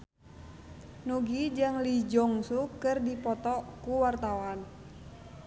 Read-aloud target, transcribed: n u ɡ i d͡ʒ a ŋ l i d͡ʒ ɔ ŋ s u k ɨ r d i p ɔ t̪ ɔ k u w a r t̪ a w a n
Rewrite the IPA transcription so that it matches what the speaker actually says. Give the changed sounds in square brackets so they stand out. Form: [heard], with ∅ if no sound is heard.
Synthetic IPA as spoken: n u ɡ i d͡ʒ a ŋ l i d͡ʒ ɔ ŋ s u k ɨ r d i p ɔ t̪ ɔ k u w a r t̪ a w a n